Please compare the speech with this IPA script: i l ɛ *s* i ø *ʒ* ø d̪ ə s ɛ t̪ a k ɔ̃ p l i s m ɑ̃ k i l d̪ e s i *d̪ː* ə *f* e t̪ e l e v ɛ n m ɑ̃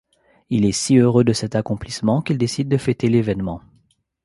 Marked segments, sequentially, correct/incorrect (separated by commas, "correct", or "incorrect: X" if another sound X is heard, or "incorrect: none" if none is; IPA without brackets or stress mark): correct, incorrect: ʁ, correct, correct